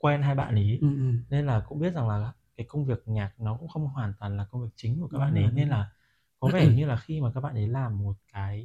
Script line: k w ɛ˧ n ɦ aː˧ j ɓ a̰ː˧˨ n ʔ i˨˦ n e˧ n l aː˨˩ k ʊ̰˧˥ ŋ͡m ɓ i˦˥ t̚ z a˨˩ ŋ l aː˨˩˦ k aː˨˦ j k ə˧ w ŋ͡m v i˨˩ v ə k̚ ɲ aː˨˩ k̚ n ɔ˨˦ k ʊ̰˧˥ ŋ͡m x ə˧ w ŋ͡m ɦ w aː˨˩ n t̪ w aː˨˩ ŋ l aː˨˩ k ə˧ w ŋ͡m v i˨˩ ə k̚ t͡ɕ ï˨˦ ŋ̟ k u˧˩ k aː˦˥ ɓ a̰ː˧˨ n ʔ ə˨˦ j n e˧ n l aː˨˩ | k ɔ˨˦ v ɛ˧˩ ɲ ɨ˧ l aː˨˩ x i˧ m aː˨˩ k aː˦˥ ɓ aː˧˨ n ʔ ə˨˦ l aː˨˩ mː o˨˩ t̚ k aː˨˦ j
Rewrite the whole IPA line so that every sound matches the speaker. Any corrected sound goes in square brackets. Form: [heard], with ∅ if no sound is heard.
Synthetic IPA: k w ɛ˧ n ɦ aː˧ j ɓ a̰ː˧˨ n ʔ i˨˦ n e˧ n l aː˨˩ k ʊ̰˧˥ ŋ͡m ɓ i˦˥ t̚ z a˨˩ ŋ l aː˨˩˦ k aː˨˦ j k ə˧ w ŋ͡m v i˨˩ [∅] ə k̚ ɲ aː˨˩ k̚ n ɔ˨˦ k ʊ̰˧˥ ŋ͡m x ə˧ w ŋ͡m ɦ w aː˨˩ n t̪ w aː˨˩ [n] l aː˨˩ k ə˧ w ŋ͡m v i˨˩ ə k̚ t͡ɕ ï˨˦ ŋ̟ k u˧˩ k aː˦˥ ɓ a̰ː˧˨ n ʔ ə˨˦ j n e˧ n l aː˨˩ | k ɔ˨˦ v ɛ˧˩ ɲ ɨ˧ l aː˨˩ x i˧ m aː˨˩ k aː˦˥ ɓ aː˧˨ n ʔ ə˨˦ l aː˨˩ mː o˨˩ t̚ k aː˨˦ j